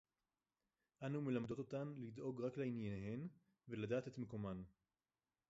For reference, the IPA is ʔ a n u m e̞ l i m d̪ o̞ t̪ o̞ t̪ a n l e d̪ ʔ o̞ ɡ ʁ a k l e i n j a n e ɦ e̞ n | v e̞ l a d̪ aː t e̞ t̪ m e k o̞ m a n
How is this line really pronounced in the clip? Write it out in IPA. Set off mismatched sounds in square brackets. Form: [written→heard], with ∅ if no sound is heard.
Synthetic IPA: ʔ a n u m e̞ l [i→a] m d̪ o̞ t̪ o̞ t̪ a n l [e→i] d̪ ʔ o̞ ɡ ʁ a k l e i n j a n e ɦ e̞ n | v e̞ l a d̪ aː t e̞ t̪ m e k o̞ m a n